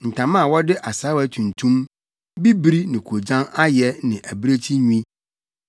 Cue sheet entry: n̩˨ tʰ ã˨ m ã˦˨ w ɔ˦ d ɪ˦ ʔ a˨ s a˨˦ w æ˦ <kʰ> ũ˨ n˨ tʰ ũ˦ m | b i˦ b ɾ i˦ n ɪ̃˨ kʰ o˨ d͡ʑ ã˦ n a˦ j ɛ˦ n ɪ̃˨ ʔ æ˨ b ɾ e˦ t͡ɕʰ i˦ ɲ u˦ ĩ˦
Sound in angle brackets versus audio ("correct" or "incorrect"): incorrect